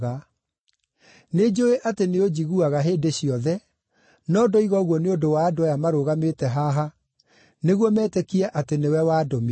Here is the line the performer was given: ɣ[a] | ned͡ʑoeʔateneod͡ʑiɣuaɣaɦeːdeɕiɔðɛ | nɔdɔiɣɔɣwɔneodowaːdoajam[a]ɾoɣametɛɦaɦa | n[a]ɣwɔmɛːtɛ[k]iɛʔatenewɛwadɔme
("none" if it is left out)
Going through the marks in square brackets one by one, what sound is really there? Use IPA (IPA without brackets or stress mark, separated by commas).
a, a, e, k